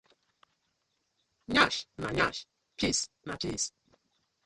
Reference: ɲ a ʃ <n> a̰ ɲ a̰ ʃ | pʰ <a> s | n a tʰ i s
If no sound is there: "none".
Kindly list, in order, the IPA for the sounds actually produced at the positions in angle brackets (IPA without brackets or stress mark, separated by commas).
n, i